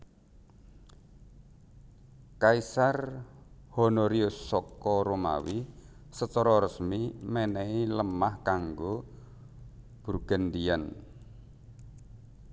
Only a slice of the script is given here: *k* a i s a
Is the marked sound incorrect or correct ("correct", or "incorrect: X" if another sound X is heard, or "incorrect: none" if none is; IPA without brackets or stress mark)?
correct